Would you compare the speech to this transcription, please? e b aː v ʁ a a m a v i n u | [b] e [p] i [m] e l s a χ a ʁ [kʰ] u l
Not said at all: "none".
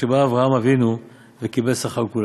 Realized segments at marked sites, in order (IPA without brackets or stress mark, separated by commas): v, k, b, k